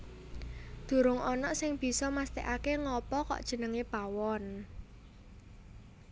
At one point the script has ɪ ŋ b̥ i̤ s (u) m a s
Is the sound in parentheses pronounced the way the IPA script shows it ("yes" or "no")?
no